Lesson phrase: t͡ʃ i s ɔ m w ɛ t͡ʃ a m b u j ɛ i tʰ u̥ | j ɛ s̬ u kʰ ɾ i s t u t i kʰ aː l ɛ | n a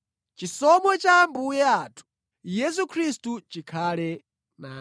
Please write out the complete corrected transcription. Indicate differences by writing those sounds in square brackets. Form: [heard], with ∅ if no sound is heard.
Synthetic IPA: t͡ʃ i s ɔ m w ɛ t͡ʃ a m b u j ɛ [a] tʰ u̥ | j ɛ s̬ u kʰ ɾ i s t u [t͡ʃ] i kʰ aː l ɛ | n a